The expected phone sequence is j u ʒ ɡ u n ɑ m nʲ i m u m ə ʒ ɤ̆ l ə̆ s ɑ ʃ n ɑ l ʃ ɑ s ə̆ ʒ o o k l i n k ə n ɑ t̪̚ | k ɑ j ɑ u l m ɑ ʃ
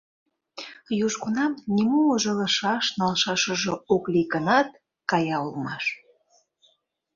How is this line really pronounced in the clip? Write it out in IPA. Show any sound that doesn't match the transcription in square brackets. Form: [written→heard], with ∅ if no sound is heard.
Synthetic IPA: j u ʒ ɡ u n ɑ m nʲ i m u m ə ʒ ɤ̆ l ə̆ [s→ʃ] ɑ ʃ n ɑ l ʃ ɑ [s→ʃ] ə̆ ʒ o o k l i [n→∅] k ə n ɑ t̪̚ | k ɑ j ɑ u l m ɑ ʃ